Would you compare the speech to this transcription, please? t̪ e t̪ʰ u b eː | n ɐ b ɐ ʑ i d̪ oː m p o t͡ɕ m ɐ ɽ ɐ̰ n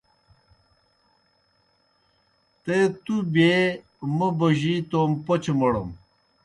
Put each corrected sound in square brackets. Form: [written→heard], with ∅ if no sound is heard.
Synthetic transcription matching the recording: t̪ e [t̪ʰ→t̪] u b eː | [n→m] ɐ b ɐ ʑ i [d̪→t̪] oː m p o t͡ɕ m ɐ ɽ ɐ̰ [n→m]